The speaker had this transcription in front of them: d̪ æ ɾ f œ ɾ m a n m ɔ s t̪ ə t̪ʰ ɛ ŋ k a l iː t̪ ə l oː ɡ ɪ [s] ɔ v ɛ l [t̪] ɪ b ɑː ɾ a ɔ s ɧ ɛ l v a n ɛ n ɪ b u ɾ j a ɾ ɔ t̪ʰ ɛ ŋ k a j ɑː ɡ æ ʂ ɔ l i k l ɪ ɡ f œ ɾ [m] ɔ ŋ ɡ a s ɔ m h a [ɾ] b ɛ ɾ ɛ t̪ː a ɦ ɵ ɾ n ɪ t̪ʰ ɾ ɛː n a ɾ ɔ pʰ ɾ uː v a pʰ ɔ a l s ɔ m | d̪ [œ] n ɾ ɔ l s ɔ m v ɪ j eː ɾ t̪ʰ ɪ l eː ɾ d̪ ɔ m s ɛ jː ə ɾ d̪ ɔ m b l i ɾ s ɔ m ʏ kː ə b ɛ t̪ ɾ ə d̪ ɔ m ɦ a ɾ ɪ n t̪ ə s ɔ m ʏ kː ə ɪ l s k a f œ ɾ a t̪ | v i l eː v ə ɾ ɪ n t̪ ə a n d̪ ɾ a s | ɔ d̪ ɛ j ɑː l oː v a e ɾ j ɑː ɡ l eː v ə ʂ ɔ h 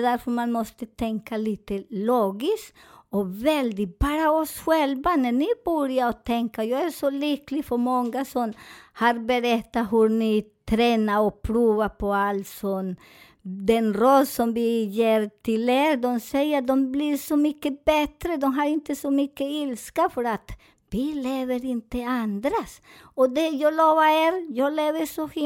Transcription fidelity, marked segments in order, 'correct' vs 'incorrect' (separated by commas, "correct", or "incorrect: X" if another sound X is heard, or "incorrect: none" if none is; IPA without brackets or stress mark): correct, incorrect: d̪, correct, correct, incorrect: ɛ